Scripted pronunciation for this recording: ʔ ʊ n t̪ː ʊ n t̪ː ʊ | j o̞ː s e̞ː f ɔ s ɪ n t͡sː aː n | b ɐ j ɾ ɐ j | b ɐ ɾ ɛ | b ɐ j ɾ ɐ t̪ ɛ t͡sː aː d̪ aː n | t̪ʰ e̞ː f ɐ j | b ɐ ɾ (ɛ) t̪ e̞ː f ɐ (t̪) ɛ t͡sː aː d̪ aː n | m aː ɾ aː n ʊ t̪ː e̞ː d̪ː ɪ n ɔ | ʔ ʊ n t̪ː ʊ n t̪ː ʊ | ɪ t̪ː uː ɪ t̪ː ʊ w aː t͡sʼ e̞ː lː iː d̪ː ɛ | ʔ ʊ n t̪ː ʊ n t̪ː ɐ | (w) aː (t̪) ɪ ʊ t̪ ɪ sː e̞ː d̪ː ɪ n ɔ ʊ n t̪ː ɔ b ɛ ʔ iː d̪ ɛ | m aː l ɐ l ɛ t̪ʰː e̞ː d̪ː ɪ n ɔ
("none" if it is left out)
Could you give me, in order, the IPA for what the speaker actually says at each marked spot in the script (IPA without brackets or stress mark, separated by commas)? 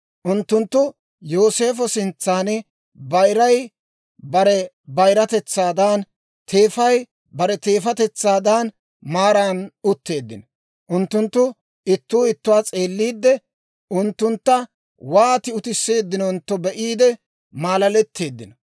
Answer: ɛ, t̪, w, t̪